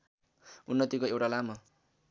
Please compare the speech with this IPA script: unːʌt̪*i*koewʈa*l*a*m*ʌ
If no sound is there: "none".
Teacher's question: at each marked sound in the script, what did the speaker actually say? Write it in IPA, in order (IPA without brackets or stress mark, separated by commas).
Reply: i, l, m